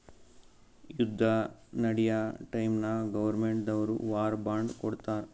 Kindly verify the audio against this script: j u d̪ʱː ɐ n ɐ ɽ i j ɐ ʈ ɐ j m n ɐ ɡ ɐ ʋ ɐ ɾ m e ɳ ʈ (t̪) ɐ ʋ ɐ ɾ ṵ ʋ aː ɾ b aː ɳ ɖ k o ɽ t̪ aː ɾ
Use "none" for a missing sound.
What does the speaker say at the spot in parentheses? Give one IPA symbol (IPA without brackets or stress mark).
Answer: d̪